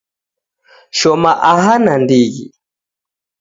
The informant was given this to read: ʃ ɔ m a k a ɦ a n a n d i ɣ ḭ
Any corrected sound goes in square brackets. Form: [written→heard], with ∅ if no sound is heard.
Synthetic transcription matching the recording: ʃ ɔ m a [k→ʔ] a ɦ a n a n d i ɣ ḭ